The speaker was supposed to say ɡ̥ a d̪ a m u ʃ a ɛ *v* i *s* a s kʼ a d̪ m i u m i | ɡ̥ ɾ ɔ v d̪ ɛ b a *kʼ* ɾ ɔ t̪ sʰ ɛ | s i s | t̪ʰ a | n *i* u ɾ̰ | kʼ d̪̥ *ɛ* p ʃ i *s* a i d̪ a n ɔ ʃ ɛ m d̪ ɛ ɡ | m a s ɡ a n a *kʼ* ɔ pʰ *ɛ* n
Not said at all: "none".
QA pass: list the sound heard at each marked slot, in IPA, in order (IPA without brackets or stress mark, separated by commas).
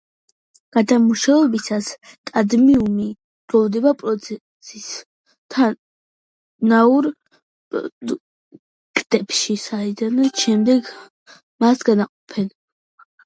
b, s, pʼ, a, ɛ, s, qʼ, ɛ